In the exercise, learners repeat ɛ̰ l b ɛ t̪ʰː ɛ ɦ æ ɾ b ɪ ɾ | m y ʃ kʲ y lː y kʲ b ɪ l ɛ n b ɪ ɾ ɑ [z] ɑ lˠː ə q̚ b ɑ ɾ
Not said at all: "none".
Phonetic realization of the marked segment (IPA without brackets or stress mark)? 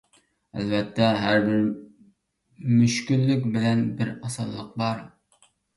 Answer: s